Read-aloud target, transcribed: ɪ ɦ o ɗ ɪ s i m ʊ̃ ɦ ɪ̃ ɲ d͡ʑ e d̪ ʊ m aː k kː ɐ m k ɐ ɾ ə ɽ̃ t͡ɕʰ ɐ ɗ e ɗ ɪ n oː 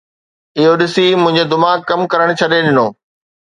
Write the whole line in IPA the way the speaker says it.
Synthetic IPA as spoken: ɪ ɦ o ɗ ɪ s i m ʊ̃ ɦ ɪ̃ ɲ d͡ʑ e d̪ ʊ m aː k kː ɐ m k ɐ ɾ ə ɽ̃ t͡ɕʰ ɐ ɗ e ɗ ɪ n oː